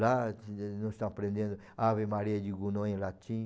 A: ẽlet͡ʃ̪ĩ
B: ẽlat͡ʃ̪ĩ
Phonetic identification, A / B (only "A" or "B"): B